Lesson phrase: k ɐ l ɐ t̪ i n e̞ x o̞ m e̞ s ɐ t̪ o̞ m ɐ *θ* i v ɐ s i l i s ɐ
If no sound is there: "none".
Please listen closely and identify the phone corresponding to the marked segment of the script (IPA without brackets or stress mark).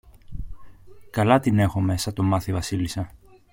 θ